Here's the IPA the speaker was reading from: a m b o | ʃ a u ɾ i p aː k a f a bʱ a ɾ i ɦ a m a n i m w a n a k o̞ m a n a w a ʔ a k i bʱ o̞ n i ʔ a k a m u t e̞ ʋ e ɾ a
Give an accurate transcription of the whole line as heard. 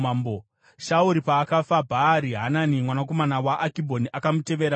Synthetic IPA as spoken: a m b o | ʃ a u ɾ i p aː k a f a bʱ a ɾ i ɦ a n a n i m w a n a k o̞ m a n a w a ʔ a k i bʱ o̞ n i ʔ a k a m u t e̞ ʋ e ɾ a